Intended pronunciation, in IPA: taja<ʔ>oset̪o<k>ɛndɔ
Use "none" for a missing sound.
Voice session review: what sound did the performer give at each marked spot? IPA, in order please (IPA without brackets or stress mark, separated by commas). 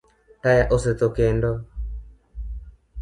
ʔ, k